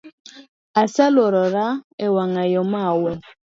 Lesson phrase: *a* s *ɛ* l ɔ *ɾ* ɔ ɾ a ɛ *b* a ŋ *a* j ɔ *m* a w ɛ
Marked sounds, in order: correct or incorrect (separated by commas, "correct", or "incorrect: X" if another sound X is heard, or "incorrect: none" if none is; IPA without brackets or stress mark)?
correct, incorrect: a, correct, incorrect: w, correct, correct